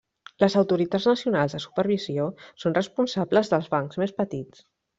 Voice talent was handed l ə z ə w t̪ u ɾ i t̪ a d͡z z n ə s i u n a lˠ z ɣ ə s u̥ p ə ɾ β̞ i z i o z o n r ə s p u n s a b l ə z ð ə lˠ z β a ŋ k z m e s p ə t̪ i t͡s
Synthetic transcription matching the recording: l ə z ə w t̪ u ɾ i t̪ a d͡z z n ə s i u n a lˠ z ð ə s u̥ p ə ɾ β̞ i z i o s o n r ə s p u n s a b l ə z ð ə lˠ z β a ŋ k z m e s p ə t̪ i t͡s